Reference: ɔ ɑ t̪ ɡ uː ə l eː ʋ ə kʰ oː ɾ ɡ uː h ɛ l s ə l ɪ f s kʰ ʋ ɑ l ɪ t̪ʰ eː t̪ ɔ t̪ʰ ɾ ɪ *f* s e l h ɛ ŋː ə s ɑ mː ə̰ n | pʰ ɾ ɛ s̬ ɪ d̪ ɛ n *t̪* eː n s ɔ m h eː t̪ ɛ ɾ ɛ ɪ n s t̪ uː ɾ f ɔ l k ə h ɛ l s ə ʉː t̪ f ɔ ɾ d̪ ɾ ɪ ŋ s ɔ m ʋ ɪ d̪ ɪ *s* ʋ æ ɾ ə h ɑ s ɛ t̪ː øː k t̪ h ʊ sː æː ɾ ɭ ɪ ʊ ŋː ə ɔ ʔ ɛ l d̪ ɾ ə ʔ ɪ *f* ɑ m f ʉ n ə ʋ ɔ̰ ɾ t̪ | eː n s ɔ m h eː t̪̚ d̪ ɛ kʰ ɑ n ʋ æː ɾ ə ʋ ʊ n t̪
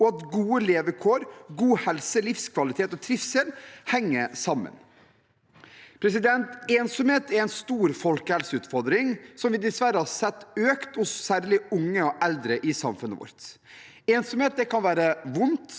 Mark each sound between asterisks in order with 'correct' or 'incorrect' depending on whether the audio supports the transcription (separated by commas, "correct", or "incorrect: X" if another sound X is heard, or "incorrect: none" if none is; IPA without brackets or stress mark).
correct, correct, correct, incorrect: s